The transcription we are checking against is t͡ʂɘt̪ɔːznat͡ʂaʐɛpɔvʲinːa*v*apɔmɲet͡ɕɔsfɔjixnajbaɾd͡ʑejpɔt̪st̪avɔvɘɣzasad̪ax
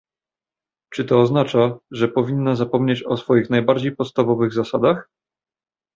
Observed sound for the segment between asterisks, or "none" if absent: z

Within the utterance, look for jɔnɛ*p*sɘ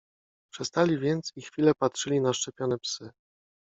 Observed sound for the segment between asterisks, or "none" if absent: p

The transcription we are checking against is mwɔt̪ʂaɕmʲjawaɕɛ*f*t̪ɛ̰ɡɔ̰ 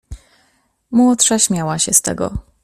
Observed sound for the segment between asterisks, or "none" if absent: s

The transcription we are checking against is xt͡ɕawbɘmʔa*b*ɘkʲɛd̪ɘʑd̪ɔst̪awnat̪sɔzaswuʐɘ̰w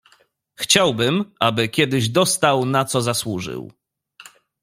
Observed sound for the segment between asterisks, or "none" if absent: b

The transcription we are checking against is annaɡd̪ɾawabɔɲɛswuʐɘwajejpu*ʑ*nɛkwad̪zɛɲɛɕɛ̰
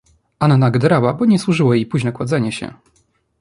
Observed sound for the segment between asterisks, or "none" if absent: ʑ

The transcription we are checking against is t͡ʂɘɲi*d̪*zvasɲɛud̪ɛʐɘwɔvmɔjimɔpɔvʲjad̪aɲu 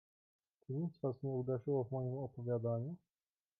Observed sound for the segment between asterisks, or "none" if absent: t̪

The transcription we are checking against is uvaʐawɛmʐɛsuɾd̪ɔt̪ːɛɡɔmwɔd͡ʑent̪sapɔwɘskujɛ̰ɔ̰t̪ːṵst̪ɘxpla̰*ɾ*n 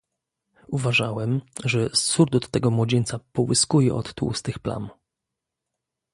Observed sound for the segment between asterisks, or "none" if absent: none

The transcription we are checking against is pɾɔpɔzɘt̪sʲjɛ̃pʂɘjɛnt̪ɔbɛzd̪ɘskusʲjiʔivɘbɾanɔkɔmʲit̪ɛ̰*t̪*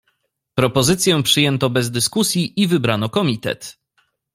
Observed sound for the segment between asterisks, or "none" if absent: t̪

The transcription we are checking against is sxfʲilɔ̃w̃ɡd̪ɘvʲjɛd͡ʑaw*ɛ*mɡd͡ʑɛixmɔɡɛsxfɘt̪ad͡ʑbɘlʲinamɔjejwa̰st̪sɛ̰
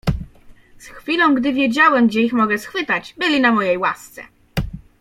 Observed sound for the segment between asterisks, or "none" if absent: ɛ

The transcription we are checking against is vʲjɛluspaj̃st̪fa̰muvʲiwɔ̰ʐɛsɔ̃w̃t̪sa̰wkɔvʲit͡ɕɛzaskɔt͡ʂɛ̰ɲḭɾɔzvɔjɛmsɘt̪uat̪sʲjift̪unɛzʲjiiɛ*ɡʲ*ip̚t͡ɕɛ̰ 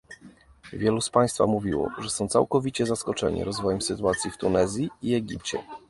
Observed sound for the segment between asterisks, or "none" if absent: ɡʲ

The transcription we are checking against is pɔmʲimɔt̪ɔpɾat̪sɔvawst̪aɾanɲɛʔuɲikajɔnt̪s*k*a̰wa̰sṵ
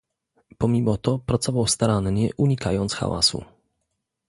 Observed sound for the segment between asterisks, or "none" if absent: x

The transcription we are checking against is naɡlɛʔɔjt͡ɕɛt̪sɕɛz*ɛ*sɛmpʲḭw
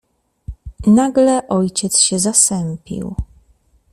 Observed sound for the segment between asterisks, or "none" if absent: a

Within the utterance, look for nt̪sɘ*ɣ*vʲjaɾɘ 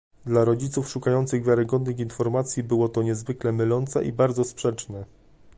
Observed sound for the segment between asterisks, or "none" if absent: ɣ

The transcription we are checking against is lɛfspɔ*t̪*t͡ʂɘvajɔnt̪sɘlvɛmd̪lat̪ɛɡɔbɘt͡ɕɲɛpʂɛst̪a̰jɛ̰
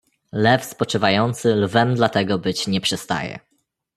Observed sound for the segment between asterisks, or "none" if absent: none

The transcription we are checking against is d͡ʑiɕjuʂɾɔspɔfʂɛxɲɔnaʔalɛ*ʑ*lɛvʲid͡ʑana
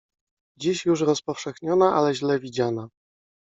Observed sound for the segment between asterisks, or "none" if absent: ʑ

